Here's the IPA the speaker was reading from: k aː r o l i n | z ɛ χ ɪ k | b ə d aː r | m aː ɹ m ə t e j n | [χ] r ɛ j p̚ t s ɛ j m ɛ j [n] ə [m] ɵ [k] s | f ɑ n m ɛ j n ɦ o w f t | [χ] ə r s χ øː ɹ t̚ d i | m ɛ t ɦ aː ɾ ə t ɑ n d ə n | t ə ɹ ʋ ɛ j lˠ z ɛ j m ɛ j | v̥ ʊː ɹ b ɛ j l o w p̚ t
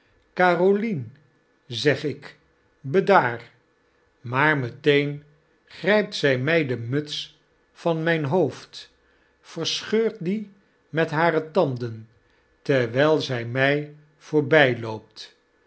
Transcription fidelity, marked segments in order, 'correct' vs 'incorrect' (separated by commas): correct, incorrect, correct, incorrect, incorrect